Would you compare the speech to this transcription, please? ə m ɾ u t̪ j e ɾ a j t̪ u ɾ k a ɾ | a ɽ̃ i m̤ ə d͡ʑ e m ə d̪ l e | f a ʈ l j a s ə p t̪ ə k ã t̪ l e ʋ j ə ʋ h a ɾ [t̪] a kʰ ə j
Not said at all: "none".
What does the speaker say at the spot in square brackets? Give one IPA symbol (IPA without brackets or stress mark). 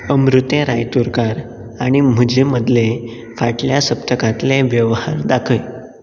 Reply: d̪